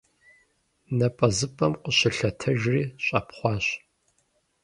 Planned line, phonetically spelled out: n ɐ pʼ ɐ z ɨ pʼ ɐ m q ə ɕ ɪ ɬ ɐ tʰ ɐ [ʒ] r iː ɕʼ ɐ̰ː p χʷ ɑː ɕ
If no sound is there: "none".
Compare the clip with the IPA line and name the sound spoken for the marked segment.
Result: ʒ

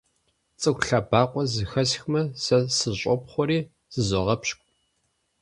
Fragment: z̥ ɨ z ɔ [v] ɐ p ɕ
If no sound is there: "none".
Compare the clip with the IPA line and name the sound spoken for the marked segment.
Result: ʁ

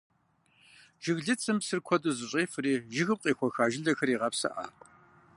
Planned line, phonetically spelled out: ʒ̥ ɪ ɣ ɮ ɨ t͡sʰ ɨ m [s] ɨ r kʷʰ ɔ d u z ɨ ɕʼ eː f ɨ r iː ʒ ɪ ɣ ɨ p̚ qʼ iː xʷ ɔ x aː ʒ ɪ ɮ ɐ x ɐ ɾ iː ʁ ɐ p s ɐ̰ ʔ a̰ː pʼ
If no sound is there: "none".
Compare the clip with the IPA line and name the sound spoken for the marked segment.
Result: s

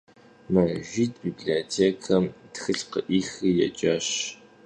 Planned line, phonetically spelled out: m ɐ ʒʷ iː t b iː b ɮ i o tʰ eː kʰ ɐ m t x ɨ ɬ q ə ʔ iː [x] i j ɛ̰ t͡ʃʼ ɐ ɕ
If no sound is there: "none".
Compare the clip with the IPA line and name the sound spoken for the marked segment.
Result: x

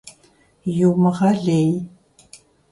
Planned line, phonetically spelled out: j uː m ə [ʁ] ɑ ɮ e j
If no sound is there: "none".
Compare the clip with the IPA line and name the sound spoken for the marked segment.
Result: ʁ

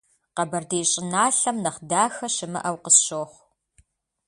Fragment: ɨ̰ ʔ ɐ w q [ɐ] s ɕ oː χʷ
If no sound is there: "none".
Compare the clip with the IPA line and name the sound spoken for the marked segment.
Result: ə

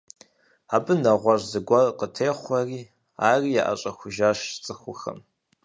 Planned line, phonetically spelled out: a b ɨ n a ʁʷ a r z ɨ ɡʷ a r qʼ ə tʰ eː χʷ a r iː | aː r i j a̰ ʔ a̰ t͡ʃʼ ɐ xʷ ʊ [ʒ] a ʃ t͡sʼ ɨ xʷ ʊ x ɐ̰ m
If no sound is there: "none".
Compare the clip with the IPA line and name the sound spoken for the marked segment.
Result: ʒ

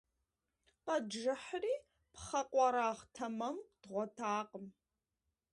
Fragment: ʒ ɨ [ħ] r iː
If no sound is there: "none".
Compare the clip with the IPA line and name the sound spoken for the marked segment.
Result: ħ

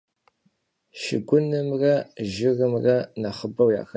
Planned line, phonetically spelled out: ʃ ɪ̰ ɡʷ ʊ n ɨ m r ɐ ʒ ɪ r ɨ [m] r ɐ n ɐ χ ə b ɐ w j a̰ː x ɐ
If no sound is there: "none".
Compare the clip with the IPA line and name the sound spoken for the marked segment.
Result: m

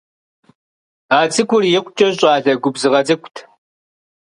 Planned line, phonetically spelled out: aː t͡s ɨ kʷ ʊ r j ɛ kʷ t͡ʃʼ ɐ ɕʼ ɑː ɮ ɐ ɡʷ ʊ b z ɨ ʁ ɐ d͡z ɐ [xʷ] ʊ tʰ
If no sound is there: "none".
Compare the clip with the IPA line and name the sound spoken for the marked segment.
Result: kʷ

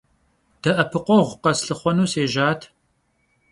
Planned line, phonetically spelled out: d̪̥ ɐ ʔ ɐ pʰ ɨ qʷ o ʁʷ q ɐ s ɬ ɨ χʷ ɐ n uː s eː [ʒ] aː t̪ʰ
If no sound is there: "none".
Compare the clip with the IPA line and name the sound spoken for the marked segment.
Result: ʒ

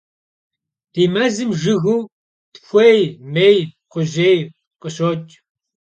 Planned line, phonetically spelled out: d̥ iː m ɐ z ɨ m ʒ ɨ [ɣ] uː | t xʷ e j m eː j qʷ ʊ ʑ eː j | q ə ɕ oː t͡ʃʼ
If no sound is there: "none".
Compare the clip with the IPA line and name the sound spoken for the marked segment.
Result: ɣ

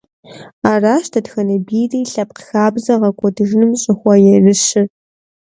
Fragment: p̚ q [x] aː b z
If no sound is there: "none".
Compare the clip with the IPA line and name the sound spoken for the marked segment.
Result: x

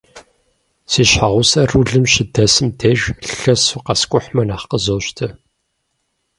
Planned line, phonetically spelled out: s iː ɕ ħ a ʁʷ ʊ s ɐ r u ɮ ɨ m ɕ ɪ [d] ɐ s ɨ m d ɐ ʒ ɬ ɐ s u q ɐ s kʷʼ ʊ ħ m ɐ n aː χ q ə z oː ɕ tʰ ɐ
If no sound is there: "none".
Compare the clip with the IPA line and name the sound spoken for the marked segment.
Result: d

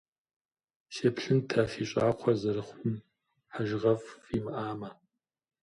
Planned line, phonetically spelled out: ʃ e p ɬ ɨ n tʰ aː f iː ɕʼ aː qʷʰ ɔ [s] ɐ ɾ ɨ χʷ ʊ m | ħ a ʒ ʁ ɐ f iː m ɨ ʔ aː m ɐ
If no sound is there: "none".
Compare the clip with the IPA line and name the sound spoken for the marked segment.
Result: z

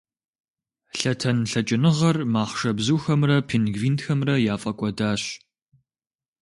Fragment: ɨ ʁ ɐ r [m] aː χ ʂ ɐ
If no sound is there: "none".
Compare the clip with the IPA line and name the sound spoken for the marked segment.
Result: m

